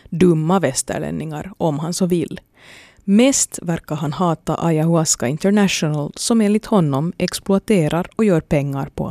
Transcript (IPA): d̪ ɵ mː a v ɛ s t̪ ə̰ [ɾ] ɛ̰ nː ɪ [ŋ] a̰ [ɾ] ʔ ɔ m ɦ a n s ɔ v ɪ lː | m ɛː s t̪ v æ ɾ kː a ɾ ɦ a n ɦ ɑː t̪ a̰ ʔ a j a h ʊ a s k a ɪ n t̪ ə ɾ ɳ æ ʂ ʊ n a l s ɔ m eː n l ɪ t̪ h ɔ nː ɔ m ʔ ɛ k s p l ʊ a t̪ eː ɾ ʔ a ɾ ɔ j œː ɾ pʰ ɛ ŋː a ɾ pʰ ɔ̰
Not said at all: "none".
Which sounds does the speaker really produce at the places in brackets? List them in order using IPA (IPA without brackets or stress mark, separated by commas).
ɭ, ŋ, ɾ